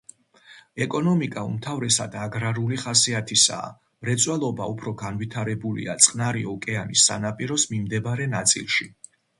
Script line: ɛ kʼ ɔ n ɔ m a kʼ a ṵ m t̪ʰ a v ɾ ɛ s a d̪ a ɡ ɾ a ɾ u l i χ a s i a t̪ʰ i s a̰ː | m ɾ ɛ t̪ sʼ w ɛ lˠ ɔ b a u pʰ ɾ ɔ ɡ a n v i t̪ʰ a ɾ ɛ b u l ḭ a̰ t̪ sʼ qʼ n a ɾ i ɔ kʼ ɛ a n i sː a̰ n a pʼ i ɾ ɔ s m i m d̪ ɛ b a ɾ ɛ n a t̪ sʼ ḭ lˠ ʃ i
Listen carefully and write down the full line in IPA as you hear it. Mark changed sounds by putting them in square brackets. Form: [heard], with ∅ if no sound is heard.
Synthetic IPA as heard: ɛ kʼ ɔ n ɔ m [i] kʼ a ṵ m t̪ʰ a v ɾ ɛ s a d̪ a ɡ ɾ a ɾ u l i χ a s i a t̪ʰ i s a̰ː | m ɾ ɛ t̪ sʼ w ɛ lˠ ɔ b a u pʰ ɾ ɔ ɡ a n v i t̪ʰ a ɾ ɛ b u l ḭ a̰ t̪ sʼ qʼ n a ɾ i ɔ kʼ ɛ a n i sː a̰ n a pʼ i ɾ ɔ s m i m d̪ ɛ b a ɾ ɛ n a t̪ sʼ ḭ lˠ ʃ i